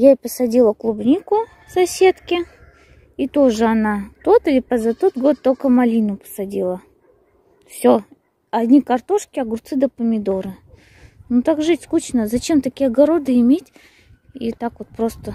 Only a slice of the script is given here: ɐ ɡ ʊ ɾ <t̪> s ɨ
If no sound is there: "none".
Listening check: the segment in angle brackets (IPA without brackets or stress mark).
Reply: t̪